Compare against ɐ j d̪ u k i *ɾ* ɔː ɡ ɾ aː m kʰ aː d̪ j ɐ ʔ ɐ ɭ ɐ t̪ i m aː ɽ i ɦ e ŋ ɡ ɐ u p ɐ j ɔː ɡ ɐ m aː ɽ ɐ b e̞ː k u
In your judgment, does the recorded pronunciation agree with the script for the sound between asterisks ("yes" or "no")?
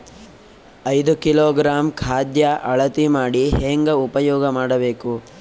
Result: no